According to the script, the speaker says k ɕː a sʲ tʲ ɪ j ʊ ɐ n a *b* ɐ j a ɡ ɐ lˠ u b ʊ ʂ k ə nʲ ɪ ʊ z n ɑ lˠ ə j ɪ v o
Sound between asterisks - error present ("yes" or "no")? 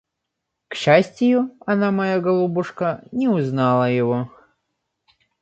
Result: yes